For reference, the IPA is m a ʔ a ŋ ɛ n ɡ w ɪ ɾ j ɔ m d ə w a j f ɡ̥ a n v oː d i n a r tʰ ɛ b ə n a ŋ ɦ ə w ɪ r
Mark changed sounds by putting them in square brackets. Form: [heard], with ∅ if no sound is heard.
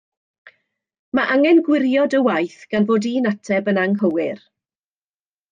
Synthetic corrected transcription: m a ʔ a ŋ ɛ n ɡ w ɪ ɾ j ɔ [∅] d ə w a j [θ] ɡ̥ a n v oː d i n a [∅] tʰ ɛ b ə n a ŋ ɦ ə w ɪ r

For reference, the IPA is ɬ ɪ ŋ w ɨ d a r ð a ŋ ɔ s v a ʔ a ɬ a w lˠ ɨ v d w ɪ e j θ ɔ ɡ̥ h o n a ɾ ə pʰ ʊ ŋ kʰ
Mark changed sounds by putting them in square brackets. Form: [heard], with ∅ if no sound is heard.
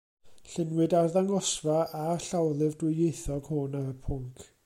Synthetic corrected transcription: ɬ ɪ [n] w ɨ d a r ð a ŋ ɔ s v a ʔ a ɬ a w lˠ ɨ v d w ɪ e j θ ɔ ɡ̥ h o n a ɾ ə pʰ ʊ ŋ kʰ

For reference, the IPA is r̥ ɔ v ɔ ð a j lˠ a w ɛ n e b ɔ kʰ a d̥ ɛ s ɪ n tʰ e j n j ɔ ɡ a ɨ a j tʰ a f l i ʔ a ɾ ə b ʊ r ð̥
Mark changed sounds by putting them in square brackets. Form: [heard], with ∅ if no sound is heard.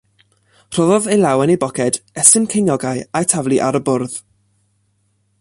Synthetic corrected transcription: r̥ ɔ [ð] ɔ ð [e] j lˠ a w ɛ n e b ɔ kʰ [ɛ] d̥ ɛ s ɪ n [kʰ] e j n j ɔ ɡ a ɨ a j tʰ a [v] l i ʔ a ɾ ə b ʊ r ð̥

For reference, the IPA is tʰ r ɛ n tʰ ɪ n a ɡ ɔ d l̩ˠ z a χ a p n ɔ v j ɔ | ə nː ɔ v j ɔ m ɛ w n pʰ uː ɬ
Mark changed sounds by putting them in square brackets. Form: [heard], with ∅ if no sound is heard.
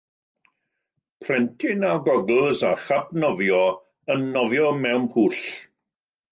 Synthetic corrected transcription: [pʰ] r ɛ n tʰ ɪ n a ɡ ɔ [ɡ] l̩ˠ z a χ a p n ɔ v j ɔ | ə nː ɔ v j ɔ m ɛ w n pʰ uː ɬ

